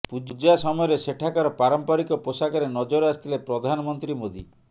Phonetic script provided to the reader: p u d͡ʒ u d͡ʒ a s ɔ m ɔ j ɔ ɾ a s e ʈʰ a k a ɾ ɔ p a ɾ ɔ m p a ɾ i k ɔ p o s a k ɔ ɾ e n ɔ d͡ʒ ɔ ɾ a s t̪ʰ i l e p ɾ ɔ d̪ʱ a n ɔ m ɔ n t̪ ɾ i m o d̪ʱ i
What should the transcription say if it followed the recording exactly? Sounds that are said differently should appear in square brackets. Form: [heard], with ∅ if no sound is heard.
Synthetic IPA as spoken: p u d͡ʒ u d͡ʒ a s ɔ m ɔ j ɔ ɾ [e] s e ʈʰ a k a ɾ ɔ p a ɾ ɔ m p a ɾ i k ɔ p o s a k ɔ ɾ e n ɔ d͡ʒ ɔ ɾ a s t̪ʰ i l e p ɾ ɔ d̪ʱ a n ɔ m ɔ n t̪ ɾ i m o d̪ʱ i

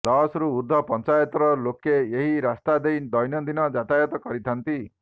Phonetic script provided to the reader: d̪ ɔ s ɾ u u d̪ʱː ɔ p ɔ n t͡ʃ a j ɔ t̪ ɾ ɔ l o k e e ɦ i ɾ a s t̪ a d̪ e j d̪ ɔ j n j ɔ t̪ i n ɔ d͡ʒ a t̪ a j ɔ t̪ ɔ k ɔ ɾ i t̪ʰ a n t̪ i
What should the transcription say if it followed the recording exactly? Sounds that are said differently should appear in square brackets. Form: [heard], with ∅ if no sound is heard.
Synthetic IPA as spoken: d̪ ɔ s ɾ u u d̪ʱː ɔ p ɔ n t͡ʃ a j ɔ t̪ ɾ ɔ l o k e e ɦ i ɾ a s t̪ a d̪ e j d̪ ɔ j n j ɔ [d̪] i n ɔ d͡ʒ a t̪ a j ɔ t̪ ɔ k ɔ ɾ i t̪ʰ a n t̪ i

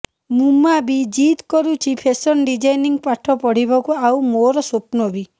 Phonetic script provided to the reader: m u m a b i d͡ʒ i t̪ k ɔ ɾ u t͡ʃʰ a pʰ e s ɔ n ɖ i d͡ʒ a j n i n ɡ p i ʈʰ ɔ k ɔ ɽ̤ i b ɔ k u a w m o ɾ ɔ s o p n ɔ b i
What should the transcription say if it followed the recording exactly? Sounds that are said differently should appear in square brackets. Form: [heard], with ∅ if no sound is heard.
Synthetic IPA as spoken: m u m a b i d͡ʒ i t̪ k ɔ ɾ u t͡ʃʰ [i] pʰ e s ɔ n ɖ i d͡ʒ a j n i [ŋ] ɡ p [a] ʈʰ ɔ [p] ɔ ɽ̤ i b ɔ k u a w m o ɾ ɔ s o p n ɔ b i

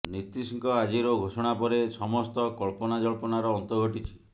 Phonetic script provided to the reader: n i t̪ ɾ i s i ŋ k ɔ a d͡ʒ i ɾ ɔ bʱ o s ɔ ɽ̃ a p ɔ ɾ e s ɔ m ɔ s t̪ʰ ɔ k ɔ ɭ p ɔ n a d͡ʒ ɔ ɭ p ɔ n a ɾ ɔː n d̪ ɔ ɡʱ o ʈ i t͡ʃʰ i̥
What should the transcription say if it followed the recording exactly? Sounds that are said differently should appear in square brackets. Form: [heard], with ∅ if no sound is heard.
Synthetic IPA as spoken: n i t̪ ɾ i s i ŋ k ɔ a d͡ʒ i ɾ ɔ [ɡʱ] o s ɔ ɽ̃ a p ɔ ɾ e s ɔ m ɔ s [t̪] ɔ k ɔ ɭ p ɔ n a d͡ʒ ɔ ɭ p ɔ n a ɾ ɔː n [t̪] ɔ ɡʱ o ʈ i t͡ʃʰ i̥

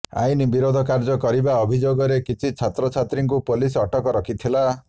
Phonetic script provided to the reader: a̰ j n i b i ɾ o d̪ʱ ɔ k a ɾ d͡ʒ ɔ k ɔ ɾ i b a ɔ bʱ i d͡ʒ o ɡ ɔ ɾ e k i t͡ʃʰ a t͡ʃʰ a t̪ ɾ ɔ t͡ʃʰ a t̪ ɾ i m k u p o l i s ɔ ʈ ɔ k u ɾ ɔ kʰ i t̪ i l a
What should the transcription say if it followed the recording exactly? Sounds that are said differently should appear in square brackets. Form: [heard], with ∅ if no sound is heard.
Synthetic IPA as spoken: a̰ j n i b i ɾ o d̪ʱ ɔ k a ɾ d͡ʒ ɔ k ɔ ɾ i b a ɔ bʱ i d͡ʒ o ɡ ɔ ɾ e k i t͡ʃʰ [i] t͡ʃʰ a t̪ ɾ ɔ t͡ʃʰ a t̪ ɾ i [ŋ] k u p o l i s ɔ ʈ ɔ k [ɔ] ɾ ɔ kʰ i [t̪ʰ] i l a

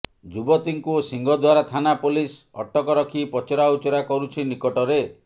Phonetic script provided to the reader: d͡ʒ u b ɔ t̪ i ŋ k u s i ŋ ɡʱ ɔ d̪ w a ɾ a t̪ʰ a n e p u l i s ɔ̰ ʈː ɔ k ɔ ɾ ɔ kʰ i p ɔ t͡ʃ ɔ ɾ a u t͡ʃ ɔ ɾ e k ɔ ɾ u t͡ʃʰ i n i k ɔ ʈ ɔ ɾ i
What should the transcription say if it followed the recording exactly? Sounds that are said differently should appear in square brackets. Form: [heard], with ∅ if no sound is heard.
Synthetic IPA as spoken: d͡ʒ u b ɔ t̪ i ŋ k u s i ŋ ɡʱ ɔ d̪ w a ɾ a t̪ʰ a n [a] p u l i s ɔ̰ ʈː ɔ k ɔ ɾ ɔ kʰ i p ɔ t͡ʃ ɔ ɾ a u t͡ʃ ɔ ɾ [a] k ɔ ɾ u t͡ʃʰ i n i k ɔ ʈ ɔ ɾ [e]

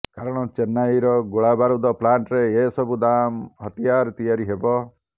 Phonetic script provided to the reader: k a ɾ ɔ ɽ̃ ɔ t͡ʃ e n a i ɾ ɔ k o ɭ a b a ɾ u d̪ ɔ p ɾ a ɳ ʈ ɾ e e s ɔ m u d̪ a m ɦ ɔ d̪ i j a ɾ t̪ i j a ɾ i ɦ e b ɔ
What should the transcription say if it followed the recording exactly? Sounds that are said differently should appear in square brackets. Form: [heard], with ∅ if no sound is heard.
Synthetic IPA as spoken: k a ɾ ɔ ɽ̃ ɔ t͡ʃ e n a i ɾ ɔ [ɡ] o ɭ a b a ɾ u d̪ ɔ p [l] a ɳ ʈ ɾ e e s ɔ [b] u d̪ a m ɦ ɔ [t̪] i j a ɾ t̪ i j a ɾ i ɦ e b ɔ

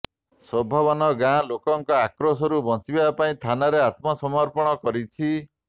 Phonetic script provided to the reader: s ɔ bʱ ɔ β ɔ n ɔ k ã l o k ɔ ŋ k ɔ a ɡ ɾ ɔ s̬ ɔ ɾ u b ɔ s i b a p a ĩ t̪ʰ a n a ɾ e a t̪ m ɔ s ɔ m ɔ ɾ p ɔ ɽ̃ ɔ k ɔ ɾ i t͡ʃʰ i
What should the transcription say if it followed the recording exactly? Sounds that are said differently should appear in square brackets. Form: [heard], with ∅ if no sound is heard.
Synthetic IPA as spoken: s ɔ bʱ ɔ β ɔ n ɔ [ɡ] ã l o k ɔ ŋ k ɔ a [k] ɾ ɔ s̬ ɔ ɾ u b ɔ s i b a p a ĩ t̪ʰ a n a ɾ e a t̪ m ɔ s ɔ m ɔ ɾ p ɔ ɽ̃ ɔ k ɔ ɾ i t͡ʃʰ i

